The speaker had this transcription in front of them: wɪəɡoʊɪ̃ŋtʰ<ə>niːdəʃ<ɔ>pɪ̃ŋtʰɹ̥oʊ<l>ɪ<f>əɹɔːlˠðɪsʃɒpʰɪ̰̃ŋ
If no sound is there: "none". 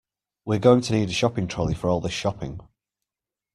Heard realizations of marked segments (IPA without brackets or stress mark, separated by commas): ə, ɒ, l, f